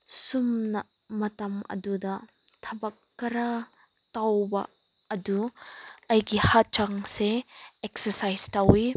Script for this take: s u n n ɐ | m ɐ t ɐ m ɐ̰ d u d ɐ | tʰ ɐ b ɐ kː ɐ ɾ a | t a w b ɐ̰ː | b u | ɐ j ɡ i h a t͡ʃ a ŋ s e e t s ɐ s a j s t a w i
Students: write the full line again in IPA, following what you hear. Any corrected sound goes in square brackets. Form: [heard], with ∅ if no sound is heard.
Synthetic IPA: s u [m] n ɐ | m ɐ t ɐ m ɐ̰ d u d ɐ | tʰ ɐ b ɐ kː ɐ ɾ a | t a w b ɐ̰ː | [d] u | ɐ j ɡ i h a t͡ʃ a ŋ s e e [k] s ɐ s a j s t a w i